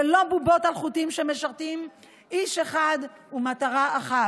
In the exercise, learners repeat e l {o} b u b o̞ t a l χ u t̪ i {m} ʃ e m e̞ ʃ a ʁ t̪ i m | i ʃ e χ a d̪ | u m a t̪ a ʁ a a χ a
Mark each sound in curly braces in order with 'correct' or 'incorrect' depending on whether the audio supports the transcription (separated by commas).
correct, correct